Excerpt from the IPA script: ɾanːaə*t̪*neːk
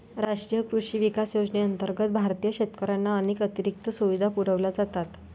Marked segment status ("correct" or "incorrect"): incorrect